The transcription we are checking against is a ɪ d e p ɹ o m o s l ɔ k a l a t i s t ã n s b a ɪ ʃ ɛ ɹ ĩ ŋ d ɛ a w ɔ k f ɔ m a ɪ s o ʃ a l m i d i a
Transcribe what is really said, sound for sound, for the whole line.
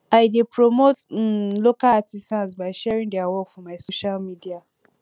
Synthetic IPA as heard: a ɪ d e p ɹ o m o t l o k a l a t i s t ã n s b a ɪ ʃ ɛ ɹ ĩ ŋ d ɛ a w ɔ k f ɔ m a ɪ s o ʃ a l m i d i a